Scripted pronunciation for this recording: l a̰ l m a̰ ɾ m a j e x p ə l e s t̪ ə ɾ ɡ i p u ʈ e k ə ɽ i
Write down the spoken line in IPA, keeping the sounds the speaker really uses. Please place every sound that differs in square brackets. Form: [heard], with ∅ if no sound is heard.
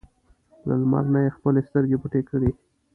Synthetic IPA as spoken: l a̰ l m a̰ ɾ [n] a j e x p ə l e s t̪ ə ɾ ɡ [e] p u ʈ e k ə ɽ i